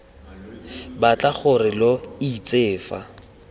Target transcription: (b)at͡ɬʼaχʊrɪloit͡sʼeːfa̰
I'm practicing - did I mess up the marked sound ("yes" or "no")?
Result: no